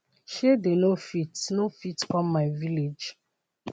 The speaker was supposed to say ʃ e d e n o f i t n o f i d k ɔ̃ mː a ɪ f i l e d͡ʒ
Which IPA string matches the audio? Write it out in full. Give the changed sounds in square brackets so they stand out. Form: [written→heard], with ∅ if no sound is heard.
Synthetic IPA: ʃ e d e n o f i t n o f i [d→t] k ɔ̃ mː a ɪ [f→v] i l e d͡ʒ